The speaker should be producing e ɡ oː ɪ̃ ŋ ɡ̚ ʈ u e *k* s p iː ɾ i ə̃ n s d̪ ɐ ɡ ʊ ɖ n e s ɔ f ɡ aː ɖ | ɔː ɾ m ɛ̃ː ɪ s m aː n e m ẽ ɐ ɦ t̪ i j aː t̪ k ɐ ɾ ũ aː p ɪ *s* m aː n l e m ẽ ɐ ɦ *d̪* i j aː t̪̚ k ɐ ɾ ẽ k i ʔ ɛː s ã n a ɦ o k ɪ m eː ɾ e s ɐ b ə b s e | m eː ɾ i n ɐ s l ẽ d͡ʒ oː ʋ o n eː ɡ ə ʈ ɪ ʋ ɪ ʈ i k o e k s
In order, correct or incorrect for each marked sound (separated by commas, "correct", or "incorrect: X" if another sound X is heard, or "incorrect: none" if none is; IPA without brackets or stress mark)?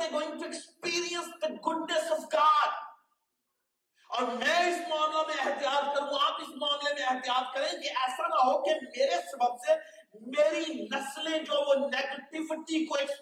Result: correct, correct, incorrect: t̪